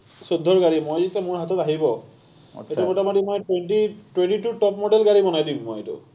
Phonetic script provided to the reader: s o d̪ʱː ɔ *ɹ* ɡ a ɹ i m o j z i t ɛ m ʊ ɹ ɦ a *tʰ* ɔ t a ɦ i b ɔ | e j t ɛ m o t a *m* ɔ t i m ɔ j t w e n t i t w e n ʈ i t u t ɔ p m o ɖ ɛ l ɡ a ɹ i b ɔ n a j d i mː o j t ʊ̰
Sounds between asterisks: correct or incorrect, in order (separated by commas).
correct, incorrect, correct